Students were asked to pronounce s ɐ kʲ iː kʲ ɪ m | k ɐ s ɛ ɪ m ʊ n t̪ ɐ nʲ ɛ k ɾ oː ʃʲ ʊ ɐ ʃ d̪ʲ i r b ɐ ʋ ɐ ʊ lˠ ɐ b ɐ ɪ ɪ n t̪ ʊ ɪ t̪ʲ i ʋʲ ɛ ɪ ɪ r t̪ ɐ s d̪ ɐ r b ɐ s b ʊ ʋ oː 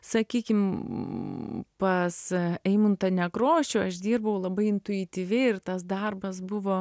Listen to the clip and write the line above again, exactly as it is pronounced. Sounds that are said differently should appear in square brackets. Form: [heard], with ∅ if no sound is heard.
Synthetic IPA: s ɐ kʲ iː kʲ ɪ m | [p] ɐ s ɛ ɪ m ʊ n t̪ ɐ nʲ ɛ k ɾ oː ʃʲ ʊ ɐ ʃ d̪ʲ [iː] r b ɐ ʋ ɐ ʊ lˠ ɐ b ɐ ɪ ɪ n t̪ ʊ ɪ t̪ʲ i ʋʲ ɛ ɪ ɪ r t̪ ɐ s d̪ ɐ r b ɐ s b ʊ ʋ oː